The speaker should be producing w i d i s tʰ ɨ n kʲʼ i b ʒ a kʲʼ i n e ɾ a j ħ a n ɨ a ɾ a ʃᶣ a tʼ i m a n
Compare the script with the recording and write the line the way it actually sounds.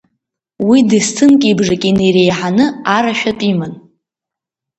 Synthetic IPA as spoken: w i d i s tʰ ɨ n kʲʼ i b ʐ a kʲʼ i n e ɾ e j ħ a n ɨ a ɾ a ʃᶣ a tʼ i m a n